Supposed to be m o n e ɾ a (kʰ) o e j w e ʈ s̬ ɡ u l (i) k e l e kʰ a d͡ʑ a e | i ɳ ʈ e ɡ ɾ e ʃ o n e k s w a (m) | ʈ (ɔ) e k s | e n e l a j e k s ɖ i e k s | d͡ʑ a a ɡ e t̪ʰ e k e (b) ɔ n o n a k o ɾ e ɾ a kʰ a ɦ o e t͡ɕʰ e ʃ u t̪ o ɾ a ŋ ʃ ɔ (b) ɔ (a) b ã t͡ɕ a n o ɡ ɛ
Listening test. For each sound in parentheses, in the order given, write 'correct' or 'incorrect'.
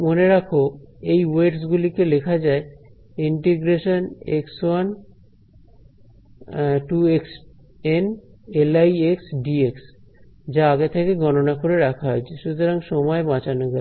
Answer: correct, correct, incorrect, incorrect, incorrect, incorrect, incorrect

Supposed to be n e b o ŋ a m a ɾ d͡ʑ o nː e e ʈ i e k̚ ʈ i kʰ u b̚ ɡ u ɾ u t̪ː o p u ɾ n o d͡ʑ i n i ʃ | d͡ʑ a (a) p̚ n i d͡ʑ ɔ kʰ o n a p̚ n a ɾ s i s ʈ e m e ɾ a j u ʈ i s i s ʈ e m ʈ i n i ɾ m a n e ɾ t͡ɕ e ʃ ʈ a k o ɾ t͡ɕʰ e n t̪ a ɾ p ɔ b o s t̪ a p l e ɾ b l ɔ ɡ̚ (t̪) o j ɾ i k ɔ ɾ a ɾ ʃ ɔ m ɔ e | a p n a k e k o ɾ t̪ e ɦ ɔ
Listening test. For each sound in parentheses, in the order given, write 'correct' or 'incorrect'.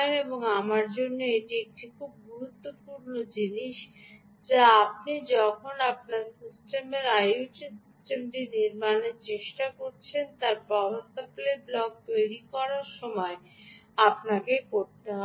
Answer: correct, correct

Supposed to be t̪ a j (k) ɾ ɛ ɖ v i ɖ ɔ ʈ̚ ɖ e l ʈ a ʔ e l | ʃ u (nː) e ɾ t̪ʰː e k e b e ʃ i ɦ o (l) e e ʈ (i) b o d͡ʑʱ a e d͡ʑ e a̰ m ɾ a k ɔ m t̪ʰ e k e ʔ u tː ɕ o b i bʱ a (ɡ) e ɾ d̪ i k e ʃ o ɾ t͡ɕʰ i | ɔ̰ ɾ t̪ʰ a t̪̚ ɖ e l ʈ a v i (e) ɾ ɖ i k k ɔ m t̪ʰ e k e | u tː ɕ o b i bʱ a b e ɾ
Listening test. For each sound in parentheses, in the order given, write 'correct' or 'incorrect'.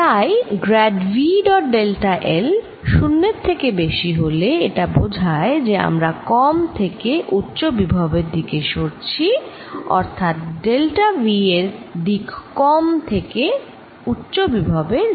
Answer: incorrect, correct, correct, incorrect, incorrect, correct

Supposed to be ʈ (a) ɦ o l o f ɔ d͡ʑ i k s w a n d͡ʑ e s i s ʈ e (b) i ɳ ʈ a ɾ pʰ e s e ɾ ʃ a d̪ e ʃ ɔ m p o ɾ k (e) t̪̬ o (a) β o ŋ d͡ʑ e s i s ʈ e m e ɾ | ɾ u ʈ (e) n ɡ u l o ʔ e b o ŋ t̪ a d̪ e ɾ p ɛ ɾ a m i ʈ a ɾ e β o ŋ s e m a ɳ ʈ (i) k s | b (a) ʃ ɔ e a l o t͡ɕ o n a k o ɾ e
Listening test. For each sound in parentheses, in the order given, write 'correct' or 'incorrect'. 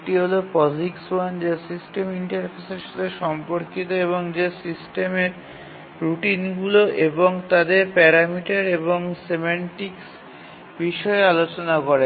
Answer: incorrect, incorrect, incorrect, incorrect, incorrect, correct, incorrect

